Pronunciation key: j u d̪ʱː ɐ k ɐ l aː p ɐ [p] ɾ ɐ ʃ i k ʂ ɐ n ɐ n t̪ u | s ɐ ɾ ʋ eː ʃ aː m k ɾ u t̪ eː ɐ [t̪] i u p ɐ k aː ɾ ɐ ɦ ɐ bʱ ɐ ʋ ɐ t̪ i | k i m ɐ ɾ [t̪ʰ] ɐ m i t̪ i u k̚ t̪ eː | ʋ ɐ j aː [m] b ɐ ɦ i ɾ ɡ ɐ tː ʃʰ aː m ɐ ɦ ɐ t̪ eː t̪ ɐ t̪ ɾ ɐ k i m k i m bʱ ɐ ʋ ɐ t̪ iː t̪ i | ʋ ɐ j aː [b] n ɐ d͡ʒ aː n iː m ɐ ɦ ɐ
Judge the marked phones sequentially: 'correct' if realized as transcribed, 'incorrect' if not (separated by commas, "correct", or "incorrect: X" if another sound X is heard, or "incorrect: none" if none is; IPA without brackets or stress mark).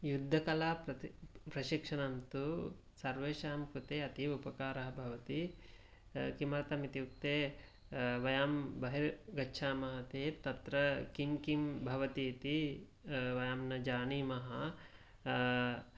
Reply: correct, correct, incorrect: t̪, correct, incorrect: m